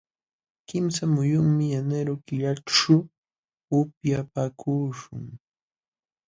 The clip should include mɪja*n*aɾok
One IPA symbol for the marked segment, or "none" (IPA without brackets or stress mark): n